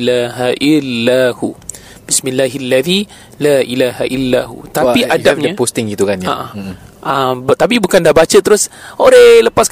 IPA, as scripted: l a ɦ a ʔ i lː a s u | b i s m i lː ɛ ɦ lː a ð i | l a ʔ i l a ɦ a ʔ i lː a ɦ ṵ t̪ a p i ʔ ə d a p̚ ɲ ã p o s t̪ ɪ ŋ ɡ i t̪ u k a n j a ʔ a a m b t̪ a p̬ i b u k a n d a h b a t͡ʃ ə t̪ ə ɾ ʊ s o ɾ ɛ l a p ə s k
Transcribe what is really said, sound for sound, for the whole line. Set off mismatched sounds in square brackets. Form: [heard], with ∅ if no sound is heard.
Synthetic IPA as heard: l a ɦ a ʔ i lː a [h] u | b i s m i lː [a] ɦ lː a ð i | l a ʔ i l a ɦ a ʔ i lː a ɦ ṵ t̪ a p i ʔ [a] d a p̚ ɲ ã p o s t̪ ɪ ŋ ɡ i t̪ u k a n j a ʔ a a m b t̪ a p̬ i b u k a n d a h b a t͡ʃ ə t̪ ə ɾ ʊ s o ɾ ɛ l [ə] p [a] s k